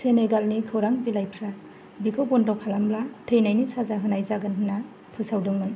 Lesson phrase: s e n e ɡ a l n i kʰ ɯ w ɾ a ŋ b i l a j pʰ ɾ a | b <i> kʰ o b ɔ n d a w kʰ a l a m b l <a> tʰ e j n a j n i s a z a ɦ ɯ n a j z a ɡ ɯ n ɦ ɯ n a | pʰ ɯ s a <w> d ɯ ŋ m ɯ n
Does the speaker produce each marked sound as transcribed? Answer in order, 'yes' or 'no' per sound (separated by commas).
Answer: yes, yes, yes